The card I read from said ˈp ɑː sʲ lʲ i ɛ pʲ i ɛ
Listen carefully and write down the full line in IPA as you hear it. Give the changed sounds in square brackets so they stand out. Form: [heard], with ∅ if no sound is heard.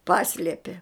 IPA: ˈp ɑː sʲ lʲ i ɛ pʲ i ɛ